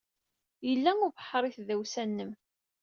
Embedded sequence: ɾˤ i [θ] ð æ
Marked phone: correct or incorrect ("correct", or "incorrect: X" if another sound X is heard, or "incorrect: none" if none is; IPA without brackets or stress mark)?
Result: correct